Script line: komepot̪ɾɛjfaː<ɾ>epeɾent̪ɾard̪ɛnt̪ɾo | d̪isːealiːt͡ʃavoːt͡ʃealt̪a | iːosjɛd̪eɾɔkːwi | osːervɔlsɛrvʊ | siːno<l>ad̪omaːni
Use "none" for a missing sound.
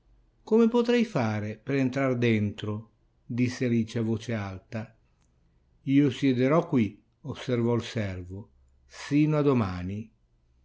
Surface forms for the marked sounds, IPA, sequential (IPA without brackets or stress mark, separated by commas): ɾ, none